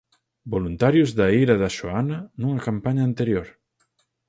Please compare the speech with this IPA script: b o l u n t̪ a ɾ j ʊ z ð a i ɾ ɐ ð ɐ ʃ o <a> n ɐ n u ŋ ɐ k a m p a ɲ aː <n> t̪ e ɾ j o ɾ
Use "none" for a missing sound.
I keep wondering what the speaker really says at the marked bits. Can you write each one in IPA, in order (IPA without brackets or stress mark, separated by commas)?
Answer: a, n